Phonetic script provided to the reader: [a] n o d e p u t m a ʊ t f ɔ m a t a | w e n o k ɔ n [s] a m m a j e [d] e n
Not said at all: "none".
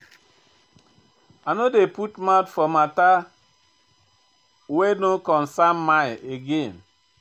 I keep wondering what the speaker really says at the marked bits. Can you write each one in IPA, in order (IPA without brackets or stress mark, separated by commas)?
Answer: a, s, ɡ